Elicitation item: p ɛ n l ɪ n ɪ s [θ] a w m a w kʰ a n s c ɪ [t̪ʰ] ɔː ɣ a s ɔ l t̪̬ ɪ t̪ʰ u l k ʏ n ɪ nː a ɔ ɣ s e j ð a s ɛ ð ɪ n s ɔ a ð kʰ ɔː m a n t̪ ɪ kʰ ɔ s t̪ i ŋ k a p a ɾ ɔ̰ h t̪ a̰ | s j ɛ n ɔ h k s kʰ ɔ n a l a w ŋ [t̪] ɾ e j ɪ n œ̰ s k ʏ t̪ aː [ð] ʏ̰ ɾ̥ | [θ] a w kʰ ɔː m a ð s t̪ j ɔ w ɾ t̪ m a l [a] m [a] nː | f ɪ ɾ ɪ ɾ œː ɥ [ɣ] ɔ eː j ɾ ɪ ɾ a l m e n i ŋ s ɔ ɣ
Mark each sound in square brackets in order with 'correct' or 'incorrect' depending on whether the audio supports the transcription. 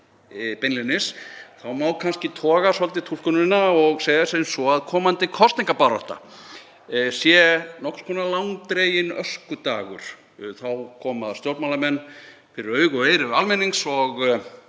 correct, correct, correct, incorrect: ɣ, correct, correct, incorrect: ɛ, correct

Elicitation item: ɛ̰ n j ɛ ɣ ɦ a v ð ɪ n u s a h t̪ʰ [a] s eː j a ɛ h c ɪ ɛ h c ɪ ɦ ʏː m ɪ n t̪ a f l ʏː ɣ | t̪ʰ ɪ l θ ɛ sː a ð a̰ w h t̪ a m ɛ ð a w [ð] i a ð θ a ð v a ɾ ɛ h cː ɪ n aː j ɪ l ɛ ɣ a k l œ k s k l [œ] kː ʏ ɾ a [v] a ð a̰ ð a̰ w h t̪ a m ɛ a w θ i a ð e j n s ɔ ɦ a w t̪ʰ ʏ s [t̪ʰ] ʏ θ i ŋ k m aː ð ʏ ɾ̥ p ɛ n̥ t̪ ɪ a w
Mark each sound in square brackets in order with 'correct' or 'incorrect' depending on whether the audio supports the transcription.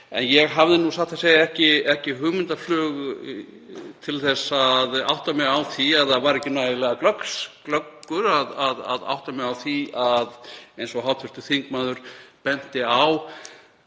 correct, incorrect: θ, correct, incorrect: ð, incorrect: t̪

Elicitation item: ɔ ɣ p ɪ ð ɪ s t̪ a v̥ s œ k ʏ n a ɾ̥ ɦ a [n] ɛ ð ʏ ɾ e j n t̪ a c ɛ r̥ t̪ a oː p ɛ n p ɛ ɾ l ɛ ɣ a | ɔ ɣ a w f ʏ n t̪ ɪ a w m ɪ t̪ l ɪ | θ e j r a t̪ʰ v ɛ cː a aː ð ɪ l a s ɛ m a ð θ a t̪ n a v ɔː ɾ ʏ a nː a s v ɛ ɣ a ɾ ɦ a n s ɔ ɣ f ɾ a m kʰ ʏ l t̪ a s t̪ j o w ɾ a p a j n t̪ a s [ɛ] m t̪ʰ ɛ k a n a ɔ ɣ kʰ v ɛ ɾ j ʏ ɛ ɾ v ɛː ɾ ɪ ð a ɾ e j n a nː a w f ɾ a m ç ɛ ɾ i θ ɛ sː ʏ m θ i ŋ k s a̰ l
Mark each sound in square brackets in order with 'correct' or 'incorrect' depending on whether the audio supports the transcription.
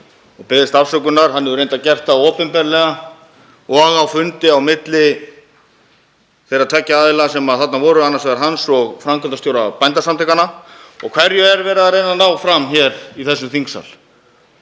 incorrect: nː, incorrect: a

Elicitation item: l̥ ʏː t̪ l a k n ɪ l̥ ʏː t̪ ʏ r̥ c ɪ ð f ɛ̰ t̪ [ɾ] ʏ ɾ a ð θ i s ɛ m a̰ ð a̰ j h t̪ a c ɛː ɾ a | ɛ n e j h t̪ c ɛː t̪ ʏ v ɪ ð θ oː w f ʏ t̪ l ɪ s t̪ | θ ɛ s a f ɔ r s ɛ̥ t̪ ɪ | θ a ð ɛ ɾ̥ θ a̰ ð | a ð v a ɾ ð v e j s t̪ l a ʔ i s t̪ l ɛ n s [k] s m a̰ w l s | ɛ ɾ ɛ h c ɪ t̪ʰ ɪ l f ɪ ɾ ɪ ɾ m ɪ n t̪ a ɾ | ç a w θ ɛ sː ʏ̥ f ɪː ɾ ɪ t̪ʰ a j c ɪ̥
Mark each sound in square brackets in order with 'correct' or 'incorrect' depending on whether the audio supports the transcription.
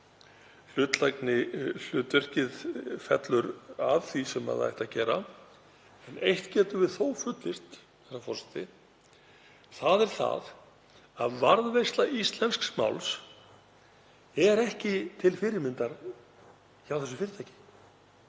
incorrect: l, correct

